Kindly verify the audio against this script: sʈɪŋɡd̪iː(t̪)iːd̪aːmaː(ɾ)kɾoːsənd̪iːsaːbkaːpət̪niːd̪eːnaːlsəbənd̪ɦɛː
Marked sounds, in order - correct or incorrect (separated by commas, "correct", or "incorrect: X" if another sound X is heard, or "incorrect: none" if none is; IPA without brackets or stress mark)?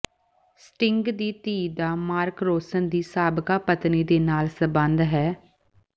correct, correct